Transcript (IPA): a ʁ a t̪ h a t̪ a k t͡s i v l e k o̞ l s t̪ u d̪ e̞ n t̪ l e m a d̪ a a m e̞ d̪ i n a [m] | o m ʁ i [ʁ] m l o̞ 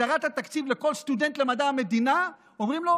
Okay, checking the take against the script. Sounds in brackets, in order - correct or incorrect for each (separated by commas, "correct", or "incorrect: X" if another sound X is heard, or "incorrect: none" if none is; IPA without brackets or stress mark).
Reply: incorrect: none, incorrect: none